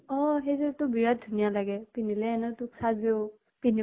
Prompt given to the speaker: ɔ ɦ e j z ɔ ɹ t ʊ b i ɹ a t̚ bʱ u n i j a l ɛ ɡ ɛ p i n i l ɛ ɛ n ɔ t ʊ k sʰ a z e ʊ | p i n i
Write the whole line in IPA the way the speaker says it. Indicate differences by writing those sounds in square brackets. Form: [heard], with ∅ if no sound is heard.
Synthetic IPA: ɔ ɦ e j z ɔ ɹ t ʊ b i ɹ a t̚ [dʱ] u n i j a l [a] ɡ ɛ p i n i l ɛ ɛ n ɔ t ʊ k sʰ a z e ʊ | p i n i